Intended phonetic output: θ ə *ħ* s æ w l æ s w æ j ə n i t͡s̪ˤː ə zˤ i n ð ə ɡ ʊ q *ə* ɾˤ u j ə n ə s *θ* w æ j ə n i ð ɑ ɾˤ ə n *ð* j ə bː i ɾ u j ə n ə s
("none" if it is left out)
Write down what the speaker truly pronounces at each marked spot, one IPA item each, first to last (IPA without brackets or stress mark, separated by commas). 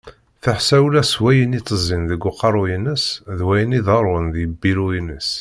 ħ, ɑ, ð, ð